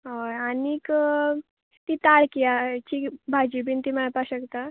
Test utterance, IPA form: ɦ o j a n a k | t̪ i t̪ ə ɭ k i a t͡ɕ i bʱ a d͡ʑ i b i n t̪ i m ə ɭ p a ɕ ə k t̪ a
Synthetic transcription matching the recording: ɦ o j a n i k | t̪ i t̪ a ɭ k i a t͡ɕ i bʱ a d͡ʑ i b i n t̪ i m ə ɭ p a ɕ ə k t̪ a